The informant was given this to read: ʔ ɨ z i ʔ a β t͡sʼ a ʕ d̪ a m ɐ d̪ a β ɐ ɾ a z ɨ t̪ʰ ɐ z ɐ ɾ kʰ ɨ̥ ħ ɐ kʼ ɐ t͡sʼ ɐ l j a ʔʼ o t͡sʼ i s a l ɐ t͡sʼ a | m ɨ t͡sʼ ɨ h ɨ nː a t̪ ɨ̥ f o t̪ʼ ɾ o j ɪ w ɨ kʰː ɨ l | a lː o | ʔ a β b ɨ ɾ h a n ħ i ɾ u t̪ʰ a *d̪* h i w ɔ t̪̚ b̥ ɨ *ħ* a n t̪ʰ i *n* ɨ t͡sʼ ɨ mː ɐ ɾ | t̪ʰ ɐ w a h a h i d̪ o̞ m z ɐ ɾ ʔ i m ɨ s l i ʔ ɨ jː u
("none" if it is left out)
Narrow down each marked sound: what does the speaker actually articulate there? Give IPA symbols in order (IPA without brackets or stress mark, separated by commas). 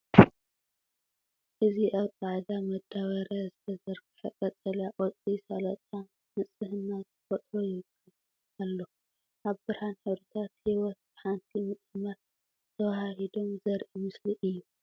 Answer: t̪, ħ, m